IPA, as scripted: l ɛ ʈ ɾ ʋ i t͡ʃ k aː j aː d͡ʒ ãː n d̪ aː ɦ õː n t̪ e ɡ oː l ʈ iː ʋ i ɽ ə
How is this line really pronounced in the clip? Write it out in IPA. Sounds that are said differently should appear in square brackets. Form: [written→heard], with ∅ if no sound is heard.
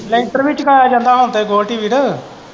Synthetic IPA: l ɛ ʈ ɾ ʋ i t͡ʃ k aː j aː d͡ʒ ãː n d̪ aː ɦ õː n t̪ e ɡ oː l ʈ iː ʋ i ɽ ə